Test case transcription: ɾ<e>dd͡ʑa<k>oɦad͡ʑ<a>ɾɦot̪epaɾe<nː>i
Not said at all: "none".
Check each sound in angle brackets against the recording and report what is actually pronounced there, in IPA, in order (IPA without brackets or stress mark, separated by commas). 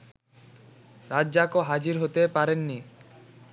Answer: a, k, i, nː